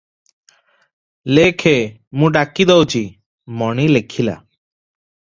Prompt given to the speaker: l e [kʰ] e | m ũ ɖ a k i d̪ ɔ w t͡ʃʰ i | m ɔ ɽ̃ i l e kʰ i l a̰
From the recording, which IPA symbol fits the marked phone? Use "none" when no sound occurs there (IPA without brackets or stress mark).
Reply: kʰ